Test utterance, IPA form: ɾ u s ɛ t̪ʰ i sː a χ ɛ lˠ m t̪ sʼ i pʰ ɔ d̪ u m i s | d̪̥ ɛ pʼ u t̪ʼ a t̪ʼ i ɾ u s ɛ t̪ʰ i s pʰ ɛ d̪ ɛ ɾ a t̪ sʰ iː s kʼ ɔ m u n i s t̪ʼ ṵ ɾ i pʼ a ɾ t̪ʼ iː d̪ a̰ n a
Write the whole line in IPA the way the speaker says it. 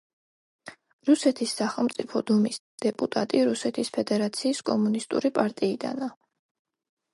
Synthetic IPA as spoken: ɾ u s ɛ t̪ʰ i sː a χ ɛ lˠ m t̪ sʼ i pʰ ɔ d̪ u m i s | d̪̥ ɛ pʼ u t̪ʼ a t̪ʼ i ɾ u s ɛ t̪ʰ i s pʰ ɛ d̪ ɛ ɾ a t̪ sʰ iː s kʼ ɔ m u n i s t̪ʼ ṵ ɾ i pʼ a ɾ t̪ʼ iː d̪ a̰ n a